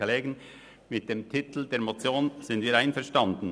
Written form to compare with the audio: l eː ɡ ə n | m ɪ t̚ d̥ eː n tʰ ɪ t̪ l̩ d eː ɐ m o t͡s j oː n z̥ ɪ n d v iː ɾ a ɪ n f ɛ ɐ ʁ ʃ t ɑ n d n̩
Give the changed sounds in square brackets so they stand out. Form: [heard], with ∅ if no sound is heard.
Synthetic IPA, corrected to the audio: l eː ɡ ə n | m ɪ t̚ d̥ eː [m] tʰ ɪ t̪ l̩ d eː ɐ m o t͡s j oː n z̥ ɪ n d v iː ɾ a ɪ n f ɛ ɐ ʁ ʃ t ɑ n d n̩